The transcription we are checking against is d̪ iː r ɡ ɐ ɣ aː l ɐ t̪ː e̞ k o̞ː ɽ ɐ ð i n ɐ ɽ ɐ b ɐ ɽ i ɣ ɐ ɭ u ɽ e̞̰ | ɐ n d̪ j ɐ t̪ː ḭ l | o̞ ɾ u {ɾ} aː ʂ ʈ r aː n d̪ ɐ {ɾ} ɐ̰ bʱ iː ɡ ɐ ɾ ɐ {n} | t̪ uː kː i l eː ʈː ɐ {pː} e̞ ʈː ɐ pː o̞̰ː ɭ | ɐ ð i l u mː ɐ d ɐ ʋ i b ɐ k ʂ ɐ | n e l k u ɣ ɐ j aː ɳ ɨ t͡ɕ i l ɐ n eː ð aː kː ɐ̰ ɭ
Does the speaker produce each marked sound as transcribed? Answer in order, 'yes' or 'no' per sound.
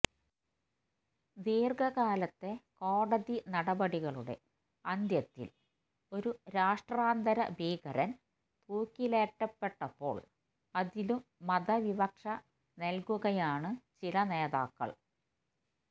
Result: yes, yes, yes, yes

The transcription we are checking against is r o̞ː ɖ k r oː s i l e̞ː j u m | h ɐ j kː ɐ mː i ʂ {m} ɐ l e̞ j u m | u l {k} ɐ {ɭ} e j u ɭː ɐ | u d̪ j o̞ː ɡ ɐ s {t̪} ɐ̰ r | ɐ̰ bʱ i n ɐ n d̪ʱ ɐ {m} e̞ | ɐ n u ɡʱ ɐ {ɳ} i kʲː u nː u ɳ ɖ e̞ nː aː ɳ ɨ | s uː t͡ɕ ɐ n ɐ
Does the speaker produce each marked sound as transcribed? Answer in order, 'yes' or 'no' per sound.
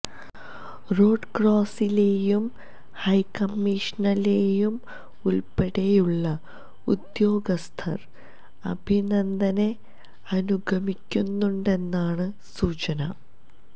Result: no, no, no, no, no, no

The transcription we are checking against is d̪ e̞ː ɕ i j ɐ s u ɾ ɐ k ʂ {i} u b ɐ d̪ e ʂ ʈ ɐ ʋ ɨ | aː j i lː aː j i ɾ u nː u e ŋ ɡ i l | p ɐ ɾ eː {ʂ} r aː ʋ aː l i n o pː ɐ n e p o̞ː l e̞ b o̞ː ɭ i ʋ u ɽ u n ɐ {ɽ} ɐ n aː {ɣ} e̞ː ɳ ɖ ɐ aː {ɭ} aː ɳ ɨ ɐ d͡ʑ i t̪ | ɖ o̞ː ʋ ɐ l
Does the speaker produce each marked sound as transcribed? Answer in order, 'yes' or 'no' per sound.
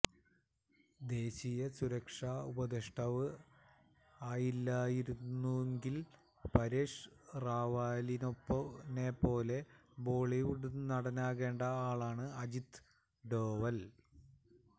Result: no, yes, yes, yes, yes

